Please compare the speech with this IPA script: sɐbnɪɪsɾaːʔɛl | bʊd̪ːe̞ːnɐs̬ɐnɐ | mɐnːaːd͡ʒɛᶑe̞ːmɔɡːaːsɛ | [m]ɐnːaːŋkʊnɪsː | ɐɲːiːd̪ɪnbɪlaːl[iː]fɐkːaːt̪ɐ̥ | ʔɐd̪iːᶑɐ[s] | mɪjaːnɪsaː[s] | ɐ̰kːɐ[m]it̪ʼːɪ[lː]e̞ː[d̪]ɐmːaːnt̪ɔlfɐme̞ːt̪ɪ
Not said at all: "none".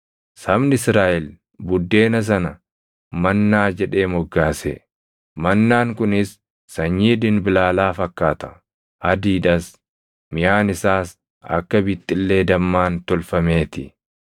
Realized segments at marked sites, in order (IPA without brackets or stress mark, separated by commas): m, aː, s, s, b, lː, d̪